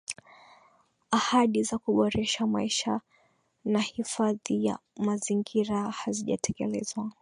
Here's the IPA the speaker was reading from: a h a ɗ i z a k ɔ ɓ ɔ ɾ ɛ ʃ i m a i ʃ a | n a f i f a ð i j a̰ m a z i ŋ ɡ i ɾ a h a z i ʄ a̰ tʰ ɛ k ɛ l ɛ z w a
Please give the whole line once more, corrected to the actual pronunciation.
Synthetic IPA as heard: a h a ɗ i z a k u ɓ ɔ ɾ ɛ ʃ a m a i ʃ a | n a h i f a ð i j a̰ m a z i ŋ ɡ i ɾ a h a z i ʄ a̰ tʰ ɛ k ɛ l ɛ z w a